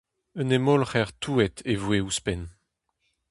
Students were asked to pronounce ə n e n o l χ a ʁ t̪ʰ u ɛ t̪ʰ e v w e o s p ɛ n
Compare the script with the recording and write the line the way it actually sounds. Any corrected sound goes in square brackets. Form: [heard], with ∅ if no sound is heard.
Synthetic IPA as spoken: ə n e [m] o l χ [ɛ] ʁ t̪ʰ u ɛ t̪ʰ e v w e [u] s p ɛ n